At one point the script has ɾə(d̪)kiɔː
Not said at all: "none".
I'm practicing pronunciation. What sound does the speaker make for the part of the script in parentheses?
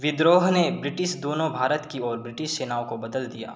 t̪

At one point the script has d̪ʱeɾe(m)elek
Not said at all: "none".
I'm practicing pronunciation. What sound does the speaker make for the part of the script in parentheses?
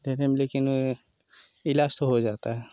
m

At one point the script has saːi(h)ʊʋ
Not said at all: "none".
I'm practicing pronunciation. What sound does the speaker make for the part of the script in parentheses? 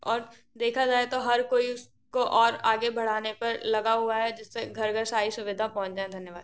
s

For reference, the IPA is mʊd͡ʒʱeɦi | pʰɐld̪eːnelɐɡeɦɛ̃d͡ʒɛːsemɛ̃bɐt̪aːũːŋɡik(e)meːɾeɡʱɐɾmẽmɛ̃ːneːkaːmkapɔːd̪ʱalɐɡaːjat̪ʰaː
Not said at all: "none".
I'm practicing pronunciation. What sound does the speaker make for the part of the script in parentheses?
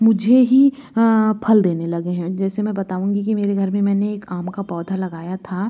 i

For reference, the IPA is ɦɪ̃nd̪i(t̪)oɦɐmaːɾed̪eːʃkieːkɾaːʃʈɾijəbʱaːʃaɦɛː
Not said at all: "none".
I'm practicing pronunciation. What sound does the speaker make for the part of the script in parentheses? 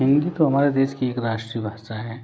t̪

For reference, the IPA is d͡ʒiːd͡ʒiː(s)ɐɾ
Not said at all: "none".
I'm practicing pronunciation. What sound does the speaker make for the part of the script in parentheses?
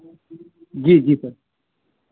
s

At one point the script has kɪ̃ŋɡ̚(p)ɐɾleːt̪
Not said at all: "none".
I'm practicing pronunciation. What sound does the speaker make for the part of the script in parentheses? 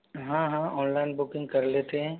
k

